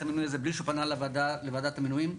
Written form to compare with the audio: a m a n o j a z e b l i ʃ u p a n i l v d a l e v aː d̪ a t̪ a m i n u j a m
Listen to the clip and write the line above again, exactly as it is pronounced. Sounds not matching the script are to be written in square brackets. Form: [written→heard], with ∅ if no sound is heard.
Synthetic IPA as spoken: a m [a→i] n [o→u] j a z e b l i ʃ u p a n [i→a] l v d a l e v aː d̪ a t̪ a m i n u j [a→i] m